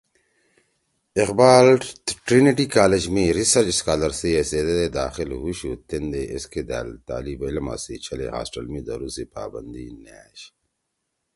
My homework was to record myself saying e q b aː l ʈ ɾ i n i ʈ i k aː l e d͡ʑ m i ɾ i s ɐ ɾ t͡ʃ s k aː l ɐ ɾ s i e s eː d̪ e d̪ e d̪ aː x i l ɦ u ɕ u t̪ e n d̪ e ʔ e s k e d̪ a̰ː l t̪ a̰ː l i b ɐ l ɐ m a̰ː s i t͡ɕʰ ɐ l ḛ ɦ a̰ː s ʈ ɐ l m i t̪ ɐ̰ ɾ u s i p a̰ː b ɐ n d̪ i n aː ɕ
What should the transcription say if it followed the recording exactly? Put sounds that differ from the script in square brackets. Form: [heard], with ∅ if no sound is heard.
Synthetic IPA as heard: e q b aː l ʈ ɾ i n i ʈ i k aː l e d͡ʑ m i ɾ i s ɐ ɾ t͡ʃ s k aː l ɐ ɾ s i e s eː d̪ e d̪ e d̪ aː x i l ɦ u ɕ u t̪ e n d̪ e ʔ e s k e d̪ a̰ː l t̪ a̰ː l i b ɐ l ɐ m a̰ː s i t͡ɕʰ ɐ l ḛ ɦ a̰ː s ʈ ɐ l m i [d̪] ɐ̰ ɾ u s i p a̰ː b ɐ n d̪ i n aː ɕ